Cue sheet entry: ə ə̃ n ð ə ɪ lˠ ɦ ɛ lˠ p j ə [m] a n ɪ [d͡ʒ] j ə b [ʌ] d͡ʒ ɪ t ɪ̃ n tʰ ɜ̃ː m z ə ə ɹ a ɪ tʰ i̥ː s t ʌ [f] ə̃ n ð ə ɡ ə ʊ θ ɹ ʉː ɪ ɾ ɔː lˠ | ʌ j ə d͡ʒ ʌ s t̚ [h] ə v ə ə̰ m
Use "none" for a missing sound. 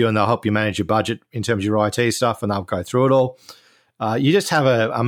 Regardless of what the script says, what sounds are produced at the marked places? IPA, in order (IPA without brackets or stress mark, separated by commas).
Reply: m, d͡ʒ, ʌ, f, h